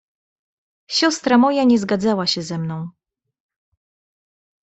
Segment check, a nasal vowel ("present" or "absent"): present